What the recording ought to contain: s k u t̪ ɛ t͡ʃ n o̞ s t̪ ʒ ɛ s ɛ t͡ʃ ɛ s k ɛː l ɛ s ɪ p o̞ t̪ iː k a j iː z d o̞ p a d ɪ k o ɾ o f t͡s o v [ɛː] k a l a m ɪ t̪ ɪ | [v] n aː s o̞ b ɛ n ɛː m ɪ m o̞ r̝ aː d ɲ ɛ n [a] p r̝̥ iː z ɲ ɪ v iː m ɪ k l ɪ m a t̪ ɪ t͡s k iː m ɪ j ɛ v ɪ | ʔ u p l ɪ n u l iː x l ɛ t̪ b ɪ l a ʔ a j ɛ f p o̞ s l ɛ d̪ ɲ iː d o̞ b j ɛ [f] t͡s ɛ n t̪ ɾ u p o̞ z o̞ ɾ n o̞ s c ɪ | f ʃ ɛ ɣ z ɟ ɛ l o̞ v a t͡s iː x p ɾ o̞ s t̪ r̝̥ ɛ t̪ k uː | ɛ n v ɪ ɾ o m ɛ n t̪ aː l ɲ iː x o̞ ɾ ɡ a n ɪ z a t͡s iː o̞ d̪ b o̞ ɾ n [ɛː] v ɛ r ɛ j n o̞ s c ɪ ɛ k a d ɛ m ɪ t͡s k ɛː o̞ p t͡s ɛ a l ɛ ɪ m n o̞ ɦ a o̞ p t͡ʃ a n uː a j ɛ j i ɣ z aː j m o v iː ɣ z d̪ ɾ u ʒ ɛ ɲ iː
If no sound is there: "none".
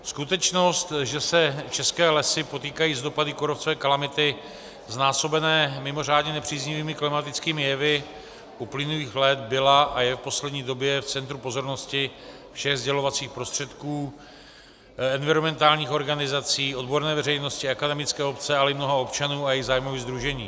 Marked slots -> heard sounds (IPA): ɛː, z, ɛ, f, ɛː

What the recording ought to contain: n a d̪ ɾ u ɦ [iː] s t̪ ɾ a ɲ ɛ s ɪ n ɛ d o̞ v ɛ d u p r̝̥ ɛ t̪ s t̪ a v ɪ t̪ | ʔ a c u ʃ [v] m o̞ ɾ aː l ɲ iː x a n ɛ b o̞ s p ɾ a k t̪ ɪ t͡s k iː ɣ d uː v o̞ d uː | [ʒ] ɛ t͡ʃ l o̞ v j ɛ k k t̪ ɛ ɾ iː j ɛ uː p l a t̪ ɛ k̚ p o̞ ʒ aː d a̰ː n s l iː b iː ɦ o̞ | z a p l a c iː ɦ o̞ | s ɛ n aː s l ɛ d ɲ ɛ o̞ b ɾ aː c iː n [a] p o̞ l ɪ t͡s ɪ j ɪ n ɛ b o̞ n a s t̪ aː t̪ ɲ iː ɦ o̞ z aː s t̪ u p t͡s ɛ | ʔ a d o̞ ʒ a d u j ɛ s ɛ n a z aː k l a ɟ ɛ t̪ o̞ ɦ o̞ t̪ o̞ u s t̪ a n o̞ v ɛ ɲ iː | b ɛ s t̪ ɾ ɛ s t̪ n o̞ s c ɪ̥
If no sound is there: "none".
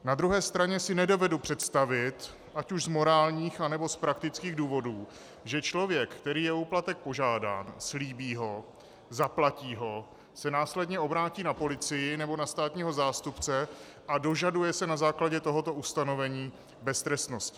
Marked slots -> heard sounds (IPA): ɛː, z, ʒ, a

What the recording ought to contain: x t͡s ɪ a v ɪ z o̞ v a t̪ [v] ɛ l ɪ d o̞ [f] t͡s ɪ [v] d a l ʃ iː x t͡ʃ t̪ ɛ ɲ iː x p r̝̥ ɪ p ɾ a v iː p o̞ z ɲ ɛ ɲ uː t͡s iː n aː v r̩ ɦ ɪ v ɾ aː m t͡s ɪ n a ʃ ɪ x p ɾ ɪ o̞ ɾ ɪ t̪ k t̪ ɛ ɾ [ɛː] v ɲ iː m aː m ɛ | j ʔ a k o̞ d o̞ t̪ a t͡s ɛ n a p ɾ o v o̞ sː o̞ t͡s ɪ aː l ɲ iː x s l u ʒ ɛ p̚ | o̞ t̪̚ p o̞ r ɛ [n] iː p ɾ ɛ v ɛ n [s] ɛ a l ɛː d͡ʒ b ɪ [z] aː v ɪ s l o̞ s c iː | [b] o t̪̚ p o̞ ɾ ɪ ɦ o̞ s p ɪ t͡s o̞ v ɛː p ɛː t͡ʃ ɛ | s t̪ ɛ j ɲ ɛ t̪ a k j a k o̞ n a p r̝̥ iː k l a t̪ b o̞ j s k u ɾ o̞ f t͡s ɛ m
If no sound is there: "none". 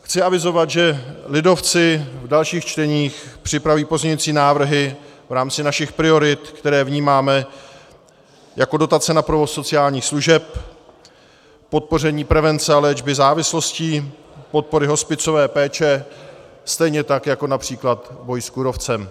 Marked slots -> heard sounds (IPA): ʒ, f, v, ɛː, ɲ, t͡s, z, p

